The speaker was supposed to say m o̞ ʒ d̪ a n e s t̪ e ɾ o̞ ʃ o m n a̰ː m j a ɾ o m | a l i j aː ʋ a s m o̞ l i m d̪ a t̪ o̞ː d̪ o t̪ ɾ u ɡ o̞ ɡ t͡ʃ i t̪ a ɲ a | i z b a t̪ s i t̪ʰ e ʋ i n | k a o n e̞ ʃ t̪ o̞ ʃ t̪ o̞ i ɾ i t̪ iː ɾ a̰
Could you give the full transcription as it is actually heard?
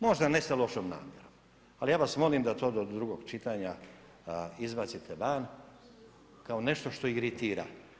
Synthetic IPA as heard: m o̞ ʒ d̪ a n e s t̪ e l o̞ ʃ o m n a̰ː m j e ɾ o m | a l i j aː ʋ a s m o̞ l i m d̪ a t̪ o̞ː d̪ o d̪ ɾ u ɡ o̞ ɡ t͡ʃ i t̪ a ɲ a | i z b a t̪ s i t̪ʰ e ʋ a n | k a o n e̞ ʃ t̪ o̞ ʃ t̪ o̞ i ɾ i t̪ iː ɾ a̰